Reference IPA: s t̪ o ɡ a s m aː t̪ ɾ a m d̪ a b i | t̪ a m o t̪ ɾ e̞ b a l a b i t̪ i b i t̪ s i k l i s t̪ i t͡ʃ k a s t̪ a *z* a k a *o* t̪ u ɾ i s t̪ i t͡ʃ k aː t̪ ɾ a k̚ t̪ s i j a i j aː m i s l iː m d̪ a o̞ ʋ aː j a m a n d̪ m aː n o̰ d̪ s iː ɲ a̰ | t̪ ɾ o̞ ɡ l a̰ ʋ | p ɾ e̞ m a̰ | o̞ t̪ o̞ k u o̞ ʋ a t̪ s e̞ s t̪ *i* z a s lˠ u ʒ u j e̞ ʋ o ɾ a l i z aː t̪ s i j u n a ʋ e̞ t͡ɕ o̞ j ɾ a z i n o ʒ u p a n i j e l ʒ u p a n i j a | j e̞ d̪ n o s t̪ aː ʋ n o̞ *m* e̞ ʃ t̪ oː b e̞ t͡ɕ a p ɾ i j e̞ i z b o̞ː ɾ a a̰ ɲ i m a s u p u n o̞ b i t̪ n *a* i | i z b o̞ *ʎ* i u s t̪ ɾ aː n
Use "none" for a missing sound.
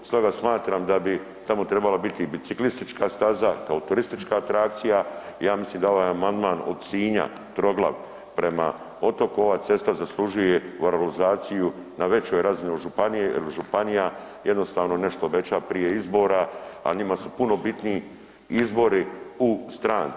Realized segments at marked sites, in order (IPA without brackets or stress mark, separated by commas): z, o, a, n, i, ɾ